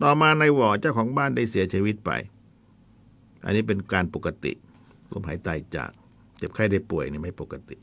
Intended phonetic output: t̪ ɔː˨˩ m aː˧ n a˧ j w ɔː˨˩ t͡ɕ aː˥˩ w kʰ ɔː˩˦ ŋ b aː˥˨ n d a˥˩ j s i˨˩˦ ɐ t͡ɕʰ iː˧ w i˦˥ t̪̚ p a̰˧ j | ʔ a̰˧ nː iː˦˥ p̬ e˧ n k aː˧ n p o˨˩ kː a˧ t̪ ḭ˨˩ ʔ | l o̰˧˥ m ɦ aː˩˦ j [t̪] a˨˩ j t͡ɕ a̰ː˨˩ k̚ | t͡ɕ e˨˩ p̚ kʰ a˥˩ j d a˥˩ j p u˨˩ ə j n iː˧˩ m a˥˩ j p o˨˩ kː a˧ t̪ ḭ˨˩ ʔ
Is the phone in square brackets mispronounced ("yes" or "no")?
no